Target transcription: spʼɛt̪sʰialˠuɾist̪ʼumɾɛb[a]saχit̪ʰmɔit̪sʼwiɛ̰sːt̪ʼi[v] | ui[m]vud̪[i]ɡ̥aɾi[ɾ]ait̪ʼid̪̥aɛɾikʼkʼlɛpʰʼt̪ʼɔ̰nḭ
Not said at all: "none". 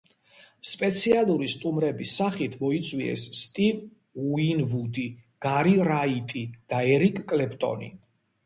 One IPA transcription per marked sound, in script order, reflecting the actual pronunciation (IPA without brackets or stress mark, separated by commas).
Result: i, v, n, i, ɾ